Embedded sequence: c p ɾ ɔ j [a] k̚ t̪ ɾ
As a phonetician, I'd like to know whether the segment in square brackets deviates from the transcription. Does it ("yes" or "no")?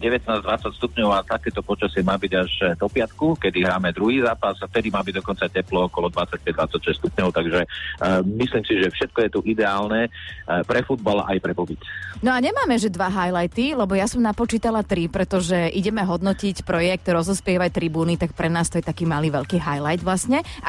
yes